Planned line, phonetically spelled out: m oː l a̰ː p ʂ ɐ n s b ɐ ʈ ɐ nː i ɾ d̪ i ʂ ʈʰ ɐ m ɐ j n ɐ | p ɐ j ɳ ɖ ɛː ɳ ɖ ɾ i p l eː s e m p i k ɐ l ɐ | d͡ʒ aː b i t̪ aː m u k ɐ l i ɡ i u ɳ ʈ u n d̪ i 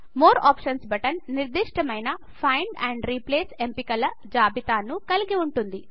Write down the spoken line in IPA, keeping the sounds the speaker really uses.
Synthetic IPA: m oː ɾ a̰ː p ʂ ɐ n s b ɐ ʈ ɐ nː i ɾ d̪ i ʂ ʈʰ ɐ m ɐ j n ɐ | pʰ ɐ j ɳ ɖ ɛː ɳ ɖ ɾ i p l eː s e m p i k ɐ l ɐ | d͡ʒ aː b i t̪ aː n u k ɐ l i ɡ i u ɳ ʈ u n d̪ i